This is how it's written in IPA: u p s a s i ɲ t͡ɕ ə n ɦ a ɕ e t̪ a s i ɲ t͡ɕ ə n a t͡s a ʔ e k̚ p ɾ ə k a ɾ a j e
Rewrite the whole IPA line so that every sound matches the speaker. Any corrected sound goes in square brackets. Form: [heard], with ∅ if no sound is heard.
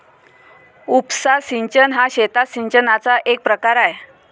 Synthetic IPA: u p s a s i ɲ t͡ɕ ə n ɦ a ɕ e t̪ a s i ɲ t͡ɕ ə n a t͡s a ʔ e k̚ p ɾ ə k a ɾ a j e